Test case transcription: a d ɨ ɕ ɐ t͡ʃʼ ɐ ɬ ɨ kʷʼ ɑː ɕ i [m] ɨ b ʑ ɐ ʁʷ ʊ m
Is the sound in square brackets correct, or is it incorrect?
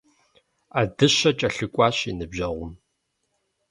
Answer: incorrect